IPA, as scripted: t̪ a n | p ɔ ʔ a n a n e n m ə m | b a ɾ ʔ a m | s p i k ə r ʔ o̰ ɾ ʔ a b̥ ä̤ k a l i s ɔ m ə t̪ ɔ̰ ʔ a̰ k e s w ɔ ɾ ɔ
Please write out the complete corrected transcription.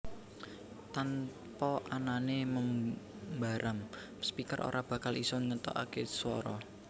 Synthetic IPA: t̪ a n | p ɔ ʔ a n a n e m ə m | b a ɾ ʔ a m | s p i k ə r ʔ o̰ ɾ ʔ a b̥ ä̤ k a l i s ɔ ŋ ə t̪ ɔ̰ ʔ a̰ k e s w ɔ ɾ ɔ